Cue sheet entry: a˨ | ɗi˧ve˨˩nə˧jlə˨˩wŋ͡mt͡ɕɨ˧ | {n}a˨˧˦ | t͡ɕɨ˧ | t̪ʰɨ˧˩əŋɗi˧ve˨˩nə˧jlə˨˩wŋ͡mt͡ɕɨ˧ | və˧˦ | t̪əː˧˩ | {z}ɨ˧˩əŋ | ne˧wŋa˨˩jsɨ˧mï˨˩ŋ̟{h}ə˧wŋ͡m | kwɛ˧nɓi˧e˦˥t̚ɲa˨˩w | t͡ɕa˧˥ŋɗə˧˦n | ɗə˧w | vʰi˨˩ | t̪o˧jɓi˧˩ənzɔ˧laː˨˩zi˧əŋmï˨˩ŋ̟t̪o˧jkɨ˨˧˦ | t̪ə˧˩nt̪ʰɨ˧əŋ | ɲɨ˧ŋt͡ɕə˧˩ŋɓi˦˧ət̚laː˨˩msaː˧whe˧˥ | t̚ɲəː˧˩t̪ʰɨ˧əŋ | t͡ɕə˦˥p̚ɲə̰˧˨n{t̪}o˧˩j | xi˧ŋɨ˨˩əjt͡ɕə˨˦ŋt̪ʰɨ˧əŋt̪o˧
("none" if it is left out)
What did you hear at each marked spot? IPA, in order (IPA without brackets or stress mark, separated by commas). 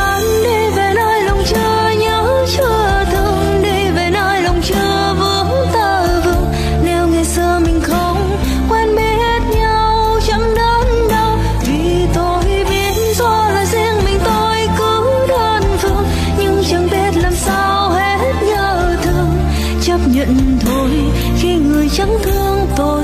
ɲ, v, x, t̪ʰ